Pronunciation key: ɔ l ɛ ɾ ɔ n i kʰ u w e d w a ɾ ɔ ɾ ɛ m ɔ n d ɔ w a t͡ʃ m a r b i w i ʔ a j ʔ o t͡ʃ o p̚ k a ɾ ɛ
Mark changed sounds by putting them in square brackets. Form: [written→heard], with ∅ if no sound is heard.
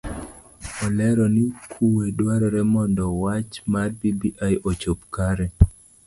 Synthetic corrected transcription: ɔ l ɛ ɾ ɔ n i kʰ u w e d w a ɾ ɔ ɾ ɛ m ɔ n d ɔ w a t͡ʃ m a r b i [w→b] i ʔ a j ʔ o t͡ʃ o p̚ k a ɾ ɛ